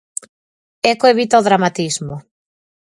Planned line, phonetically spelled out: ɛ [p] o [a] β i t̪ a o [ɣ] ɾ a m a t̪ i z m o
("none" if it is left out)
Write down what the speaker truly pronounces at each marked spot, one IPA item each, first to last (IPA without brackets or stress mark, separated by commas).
k, e, ð